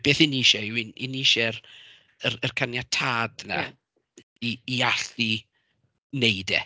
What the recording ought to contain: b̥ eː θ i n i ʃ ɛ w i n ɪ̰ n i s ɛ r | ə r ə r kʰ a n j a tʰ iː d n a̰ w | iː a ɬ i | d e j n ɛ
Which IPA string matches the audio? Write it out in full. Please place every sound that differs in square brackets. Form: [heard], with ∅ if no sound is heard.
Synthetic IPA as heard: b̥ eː θ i n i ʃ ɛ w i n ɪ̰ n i [ʃ] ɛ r | ə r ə r kʰ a n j a tʰ [aː] d n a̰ [∅] | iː a ɬ i | [n] e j [d] ɛ